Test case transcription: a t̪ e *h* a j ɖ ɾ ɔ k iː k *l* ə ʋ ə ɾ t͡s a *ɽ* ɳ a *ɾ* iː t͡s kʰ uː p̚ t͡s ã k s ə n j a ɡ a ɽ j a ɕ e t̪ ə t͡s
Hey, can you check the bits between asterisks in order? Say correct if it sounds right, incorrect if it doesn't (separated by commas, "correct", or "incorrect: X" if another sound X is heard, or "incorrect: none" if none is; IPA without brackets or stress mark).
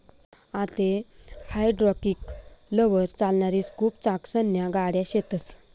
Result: correct, correct, incorrect: l, correct